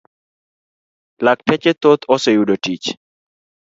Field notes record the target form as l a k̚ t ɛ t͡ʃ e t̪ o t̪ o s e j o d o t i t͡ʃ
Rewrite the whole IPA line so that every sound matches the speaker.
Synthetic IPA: l a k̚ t ɛ t͡ʃ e t̪ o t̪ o s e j u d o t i t͡ʃ